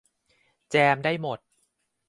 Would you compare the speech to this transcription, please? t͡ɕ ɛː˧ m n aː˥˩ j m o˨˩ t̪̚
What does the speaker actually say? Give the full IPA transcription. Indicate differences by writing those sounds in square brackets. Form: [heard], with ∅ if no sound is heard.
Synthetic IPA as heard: t͡ɕ ɛː˧ m [d] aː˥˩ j m o˨˩ t̪̚